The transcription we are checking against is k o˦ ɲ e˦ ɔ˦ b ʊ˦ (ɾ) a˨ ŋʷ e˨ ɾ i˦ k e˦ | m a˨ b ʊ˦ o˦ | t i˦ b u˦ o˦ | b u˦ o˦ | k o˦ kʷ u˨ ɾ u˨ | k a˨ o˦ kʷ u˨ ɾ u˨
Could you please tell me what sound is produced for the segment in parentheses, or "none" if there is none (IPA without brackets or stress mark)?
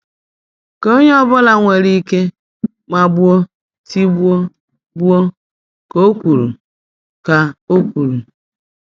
l